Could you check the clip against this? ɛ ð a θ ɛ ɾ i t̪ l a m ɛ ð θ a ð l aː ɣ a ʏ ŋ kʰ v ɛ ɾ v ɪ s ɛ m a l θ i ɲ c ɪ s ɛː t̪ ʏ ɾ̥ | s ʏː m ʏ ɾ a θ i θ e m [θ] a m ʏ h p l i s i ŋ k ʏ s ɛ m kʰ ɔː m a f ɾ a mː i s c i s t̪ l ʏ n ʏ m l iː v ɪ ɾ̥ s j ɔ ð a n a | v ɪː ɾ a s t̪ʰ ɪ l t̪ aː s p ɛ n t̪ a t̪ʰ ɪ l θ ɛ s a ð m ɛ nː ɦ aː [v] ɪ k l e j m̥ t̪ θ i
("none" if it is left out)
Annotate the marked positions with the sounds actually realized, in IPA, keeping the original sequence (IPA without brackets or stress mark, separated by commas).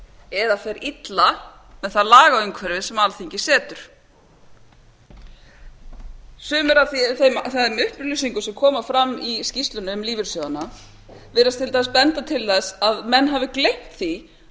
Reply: θ, v